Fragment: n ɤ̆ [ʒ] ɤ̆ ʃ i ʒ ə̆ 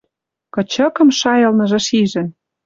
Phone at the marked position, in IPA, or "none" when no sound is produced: ʒ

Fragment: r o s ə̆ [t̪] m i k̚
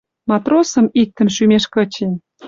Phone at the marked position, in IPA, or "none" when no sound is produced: none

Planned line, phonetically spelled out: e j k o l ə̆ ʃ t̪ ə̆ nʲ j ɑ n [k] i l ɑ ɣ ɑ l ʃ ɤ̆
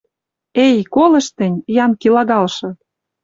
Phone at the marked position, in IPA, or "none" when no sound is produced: k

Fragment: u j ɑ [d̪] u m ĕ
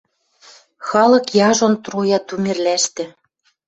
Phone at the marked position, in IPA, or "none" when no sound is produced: t̪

